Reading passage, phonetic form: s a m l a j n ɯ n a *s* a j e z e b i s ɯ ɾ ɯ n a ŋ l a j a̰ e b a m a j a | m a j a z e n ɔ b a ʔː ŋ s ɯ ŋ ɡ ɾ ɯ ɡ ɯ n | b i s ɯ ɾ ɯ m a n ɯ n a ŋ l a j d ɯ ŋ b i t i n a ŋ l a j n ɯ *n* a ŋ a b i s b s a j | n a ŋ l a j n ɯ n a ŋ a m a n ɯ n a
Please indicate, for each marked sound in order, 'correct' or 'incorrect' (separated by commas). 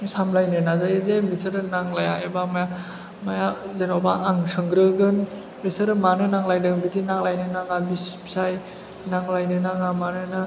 incorrect, correct